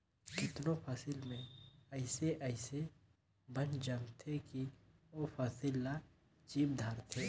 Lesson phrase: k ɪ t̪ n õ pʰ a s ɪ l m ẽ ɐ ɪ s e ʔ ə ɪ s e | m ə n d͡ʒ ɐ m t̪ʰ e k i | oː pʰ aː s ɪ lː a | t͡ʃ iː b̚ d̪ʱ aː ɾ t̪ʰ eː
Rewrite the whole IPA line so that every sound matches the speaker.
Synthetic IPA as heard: k ɪ t̪ n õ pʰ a s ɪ l m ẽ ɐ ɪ s e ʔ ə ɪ s e | b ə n d͡ʒ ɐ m t̪ʰ e k i | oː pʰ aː s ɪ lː a | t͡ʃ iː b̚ d̪ʱ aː ɾ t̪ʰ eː